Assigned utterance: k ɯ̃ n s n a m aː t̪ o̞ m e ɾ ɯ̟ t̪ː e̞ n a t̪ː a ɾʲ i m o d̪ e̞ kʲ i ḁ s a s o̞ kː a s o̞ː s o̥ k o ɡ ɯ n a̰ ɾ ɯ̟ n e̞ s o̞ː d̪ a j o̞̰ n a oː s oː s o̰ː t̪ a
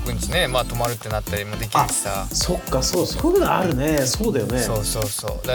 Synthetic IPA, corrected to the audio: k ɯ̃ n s n e m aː t̪ o̞ m a ɾ ɯ̟ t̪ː e̞ n a t̪ː a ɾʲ i m o d̪ e̞ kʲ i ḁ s a s o̞ kː a s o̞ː s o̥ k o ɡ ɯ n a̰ ɾ ɯ̟ n e̞ s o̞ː d̪ a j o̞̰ n e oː s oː s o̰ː d̪ a